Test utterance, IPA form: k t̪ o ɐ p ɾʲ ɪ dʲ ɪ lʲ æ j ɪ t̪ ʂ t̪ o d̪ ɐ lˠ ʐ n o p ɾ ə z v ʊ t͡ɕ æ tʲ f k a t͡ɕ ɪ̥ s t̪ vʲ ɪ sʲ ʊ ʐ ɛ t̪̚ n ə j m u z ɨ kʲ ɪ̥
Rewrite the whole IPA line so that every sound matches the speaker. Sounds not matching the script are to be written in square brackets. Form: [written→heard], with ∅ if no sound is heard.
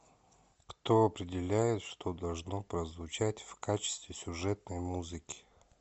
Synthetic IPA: k t̪ o ɐ p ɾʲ ɪ dʲ ɪ lʲ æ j ɪ t̪ ʂ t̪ o d̪ ɐ lˠ ʐ n o p ɾ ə z v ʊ t͡ɕ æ tʲ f k a t͡ɕ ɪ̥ s t̪ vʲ ɪ sʲ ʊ ʐ ɛ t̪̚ n ə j m u z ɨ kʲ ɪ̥